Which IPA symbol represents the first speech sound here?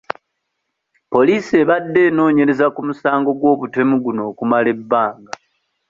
p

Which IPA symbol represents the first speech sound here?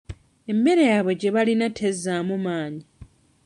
e̞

